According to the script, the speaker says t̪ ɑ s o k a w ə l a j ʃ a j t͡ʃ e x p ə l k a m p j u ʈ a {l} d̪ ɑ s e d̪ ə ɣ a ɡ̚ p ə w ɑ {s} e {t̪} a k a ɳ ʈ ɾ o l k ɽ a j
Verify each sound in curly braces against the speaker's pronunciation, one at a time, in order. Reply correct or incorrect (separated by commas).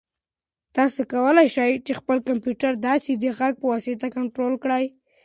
incorrect, correct, correct